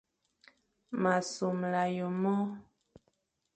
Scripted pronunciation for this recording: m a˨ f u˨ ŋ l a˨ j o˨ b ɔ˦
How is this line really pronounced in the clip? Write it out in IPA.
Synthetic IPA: m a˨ s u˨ m l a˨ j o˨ m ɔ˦

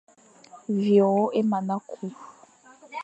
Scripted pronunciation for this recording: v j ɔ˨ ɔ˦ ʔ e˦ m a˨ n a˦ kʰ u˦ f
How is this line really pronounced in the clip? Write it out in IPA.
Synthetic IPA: v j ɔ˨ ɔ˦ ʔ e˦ m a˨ n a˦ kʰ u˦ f

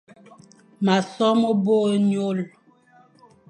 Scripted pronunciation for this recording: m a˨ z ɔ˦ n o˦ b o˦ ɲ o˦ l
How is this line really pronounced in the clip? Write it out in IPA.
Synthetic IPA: m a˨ s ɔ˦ m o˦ b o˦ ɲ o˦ l

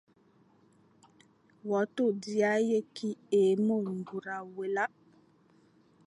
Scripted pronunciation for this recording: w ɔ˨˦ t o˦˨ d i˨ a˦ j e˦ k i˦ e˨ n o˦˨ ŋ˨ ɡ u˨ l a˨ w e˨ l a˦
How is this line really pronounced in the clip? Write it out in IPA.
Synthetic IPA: w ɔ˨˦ t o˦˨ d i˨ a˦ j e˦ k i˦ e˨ m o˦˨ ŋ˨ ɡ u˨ ɾ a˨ w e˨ l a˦

